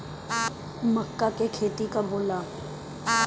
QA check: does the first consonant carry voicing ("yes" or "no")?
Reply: yes